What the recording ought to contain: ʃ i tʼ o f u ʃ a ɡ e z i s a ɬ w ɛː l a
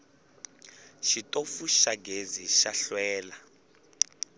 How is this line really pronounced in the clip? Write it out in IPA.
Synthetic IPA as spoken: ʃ i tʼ o f u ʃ a ɡ e z i ʃ a ɬ w ɛː l a

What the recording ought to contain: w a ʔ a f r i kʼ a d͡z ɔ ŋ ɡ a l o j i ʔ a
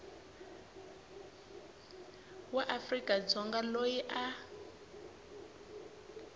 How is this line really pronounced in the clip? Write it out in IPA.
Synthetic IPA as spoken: w a ʔ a f r i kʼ a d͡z ɔ ŋ ɡ a l o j i ʔ a

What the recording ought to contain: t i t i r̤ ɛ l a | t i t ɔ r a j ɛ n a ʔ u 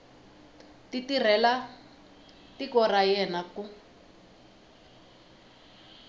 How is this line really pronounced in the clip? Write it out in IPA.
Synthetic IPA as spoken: t i t i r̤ ɛ l a | t i k ɔ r a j ɛ n a k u

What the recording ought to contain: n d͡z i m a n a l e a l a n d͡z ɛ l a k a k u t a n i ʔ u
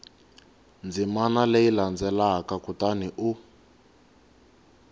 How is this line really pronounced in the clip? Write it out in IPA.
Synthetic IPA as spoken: n d͡z i m a n a l e i l a n d͡z ɛ l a k a k u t a n i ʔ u

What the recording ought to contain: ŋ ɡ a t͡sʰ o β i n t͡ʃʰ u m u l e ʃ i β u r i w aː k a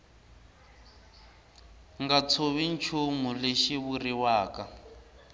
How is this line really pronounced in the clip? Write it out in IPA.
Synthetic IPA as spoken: ŋ ɡ a t͡sʰ o β i n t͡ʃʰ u m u l e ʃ i β u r i w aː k a

